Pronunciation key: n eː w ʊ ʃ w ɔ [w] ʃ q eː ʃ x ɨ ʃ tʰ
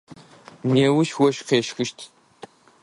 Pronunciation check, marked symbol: incorrect: none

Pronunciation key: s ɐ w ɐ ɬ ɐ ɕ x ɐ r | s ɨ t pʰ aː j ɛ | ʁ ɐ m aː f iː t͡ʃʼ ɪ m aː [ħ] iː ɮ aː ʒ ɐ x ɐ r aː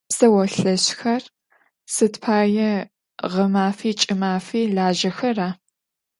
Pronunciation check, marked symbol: incorrect: f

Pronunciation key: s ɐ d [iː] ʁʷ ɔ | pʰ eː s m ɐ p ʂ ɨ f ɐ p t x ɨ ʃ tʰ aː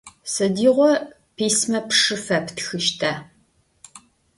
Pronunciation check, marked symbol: correct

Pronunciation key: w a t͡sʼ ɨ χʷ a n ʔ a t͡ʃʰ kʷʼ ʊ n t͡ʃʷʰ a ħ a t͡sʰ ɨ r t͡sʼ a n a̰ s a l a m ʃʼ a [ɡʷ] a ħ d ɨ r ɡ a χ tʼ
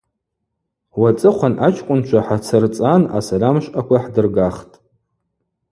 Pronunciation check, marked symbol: incorrect: kʷ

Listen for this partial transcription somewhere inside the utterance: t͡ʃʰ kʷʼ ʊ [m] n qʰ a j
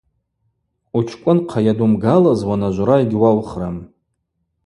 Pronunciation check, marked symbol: incorrect: none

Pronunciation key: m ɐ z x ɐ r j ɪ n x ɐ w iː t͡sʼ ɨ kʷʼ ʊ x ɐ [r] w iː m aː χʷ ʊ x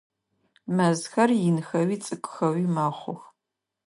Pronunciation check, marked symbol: incorrect: none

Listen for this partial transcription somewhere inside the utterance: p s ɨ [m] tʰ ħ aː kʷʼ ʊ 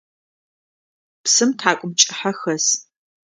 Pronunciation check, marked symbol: correct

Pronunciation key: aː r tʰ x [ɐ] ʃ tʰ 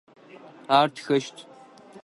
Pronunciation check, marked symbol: correct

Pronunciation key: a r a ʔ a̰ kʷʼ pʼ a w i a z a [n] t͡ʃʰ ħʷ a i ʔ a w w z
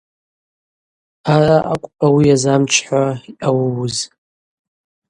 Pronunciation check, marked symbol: incorrect: m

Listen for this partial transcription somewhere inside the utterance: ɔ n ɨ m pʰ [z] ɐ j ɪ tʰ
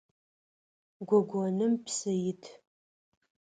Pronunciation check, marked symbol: incorrect: s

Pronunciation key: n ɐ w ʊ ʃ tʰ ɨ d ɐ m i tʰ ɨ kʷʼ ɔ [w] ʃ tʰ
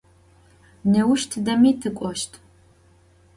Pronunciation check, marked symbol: incorrect: none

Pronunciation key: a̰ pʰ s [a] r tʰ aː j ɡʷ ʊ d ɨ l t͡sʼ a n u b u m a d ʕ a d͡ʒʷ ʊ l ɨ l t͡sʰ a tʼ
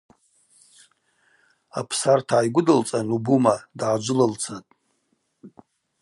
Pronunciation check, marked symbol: correct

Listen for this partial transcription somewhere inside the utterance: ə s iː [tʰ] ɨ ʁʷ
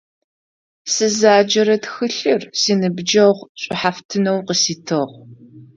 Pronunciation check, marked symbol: correct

